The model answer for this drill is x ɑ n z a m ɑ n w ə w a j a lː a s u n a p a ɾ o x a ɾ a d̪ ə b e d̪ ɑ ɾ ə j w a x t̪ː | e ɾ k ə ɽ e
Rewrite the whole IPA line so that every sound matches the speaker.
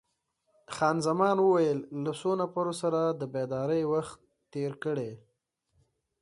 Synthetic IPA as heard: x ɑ n z a m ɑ n w ə w a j ə lː a s o n a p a ɾ o s a ɾ a d̪ ə b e d̪ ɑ ɾ ə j w a x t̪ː | e ɾ k ə ɽ e